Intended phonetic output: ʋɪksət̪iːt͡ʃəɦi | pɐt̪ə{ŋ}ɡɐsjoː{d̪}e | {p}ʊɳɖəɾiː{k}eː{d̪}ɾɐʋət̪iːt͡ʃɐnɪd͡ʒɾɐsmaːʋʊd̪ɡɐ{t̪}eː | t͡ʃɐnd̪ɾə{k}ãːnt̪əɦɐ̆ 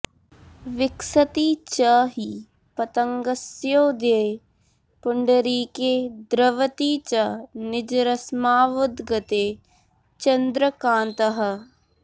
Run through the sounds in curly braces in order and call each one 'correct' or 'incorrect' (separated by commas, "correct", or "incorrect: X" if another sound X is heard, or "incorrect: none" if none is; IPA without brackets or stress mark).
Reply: correct, correct, correct, correct, correct, correct, correct